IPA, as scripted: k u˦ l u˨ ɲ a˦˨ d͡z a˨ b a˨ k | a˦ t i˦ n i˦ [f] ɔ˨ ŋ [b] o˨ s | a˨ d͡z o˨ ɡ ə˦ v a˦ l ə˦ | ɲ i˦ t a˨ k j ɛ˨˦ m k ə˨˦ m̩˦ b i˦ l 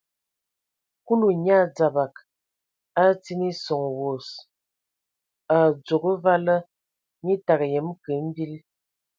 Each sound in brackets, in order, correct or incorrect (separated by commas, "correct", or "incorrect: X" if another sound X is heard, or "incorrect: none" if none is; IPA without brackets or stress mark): incorrect: s, incorrect: w